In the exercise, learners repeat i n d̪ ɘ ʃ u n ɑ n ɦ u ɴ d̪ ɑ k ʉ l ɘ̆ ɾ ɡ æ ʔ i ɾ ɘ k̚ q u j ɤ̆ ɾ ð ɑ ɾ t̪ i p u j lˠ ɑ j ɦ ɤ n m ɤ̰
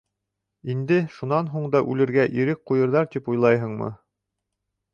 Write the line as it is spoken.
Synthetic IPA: i n d̪ ɘ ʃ u n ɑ n ɦ u ɴ d̪ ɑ ʔ ʉ l ɘ̆ ɾ ɡ æ ʔ i ɾ ɘ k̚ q u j ɤ̆ ɾ ð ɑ ɾ t̪ i p u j lˠ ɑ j ɦ ɤ ɴ m ɤ̰